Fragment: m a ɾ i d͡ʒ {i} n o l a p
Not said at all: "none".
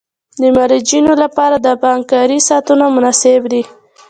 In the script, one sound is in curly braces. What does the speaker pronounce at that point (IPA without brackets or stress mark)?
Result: i